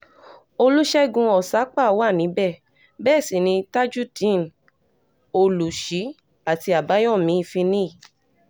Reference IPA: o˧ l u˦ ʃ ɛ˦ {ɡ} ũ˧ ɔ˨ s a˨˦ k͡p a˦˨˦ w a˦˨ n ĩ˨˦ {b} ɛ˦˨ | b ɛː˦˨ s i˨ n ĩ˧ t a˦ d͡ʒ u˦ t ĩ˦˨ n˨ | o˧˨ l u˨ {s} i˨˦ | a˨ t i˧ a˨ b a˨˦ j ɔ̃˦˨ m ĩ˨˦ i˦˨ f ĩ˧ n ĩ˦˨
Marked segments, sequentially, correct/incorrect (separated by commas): correct, correct, incorrect